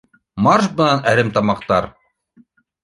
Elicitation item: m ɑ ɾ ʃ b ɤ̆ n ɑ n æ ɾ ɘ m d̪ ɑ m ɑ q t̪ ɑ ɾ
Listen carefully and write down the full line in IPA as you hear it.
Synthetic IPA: m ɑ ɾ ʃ b ɤ̆ n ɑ n æ ɾ ɘ m t̪ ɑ m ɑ q t̪ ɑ ɾ